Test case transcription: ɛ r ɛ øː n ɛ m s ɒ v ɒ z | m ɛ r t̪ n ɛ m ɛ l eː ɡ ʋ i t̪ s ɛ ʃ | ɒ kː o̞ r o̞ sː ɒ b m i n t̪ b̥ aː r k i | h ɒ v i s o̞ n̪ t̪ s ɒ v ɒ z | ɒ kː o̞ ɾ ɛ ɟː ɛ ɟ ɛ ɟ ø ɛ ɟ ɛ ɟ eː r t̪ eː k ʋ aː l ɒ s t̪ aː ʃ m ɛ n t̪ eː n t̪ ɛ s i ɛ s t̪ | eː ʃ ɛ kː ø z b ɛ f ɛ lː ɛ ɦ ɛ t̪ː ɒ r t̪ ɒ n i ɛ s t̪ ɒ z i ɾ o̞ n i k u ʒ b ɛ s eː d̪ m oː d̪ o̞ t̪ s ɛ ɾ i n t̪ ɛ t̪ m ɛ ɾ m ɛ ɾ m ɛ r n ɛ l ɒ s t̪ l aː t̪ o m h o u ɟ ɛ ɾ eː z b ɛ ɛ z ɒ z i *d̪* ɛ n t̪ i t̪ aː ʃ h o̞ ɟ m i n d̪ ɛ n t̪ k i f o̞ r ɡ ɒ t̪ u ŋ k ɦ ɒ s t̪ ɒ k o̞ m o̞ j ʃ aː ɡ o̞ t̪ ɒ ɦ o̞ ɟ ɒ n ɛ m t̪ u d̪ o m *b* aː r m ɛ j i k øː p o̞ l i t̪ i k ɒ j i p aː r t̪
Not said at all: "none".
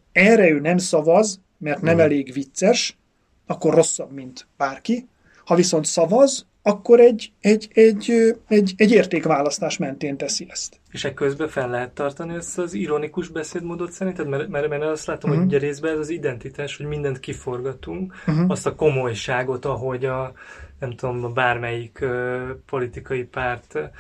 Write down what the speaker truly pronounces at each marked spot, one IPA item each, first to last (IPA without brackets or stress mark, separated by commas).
d̪, b